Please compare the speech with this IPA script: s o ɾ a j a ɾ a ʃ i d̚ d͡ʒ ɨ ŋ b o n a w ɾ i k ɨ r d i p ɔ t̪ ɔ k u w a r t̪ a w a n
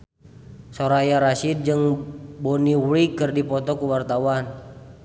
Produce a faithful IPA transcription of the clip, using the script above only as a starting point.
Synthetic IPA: s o ɾ a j a ɾ a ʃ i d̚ d͡ʒ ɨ ŋ b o n i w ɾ i k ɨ r d i p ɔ t̪ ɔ k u w a r t̪ a w a n